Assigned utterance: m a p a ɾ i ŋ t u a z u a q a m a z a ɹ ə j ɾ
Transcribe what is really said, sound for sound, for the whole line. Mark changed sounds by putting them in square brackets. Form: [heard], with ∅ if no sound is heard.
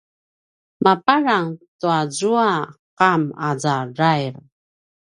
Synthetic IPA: m a p a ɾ [a] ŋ t u a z u a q a m a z a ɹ [a] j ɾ